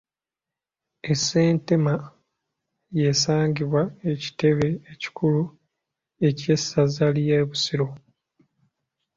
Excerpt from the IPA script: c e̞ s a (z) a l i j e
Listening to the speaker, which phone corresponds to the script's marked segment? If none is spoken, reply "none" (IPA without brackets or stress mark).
z